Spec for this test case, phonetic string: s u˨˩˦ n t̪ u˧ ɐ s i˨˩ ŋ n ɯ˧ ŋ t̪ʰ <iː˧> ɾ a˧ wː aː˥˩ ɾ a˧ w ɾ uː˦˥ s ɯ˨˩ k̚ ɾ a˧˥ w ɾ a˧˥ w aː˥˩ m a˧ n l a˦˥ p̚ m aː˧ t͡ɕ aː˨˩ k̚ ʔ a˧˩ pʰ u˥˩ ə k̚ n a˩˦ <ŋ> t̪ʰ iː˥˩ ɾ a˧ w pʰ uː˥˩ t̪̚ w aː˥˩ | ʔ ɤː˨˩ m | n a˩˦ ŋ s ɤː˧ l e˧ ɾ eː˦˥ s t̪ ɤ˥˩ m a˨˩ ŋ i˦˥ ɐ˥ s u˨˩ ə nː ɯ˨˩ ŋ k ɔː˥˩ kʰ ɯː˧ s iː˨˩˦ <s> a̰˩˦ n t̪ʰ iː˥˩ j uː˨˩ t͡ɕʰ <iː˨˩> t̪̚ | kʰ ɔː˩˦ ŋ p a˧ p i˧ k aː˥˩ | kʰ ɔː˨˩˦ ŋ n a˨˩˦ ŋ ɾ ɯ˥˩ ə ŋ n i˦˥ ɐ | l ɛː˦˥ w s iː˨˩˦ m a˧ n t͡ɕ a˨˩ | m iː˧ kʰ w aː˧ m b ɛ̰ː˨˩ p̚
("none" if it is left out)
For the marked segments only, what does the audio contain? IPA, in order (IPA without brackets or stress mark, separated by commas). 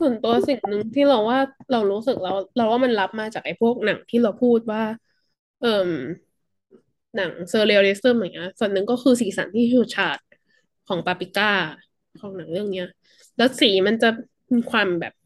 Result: iː˥˩, ŋ, s, aː˨˩